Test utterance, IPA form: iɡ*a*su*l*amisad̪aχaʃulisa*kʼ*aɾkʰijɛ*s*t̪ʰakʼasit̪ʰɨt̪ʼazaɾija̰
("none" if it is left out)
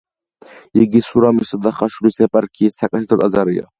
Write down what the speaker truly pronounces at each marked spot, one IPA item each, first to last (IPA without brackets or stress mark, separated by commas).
i, ɾ, pʼ, s